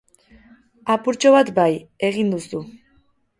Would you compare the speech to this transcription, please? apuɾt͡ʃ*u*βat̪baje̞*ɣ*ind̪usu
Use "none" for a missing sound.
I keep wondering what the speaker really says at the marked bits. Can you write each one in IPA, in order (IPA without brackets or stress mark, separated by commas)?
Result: o, ɣ